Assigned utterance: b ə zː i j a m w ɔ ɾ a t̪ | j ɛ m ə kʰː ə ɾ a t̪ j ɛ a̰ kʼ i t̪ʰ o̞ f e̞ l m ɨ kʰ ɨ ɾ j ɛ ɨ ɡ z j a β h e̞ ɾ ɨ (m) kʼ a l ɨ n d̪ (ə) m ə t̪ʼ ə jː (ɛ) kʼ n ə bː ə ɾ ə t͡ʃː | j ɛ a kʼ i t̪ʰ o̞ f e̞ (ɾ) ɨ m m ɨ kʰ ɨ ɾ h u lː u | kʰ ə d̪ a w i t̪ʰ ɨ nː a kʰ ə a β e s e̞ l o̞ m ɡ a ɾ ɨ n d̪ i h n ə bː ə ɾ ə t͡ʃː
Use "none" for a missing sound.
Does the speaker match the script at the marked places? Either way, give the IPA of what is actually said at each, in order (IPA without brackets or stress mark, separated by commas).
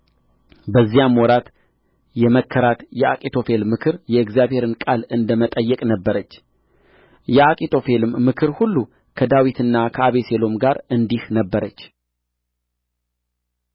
n, ə, ɛ, l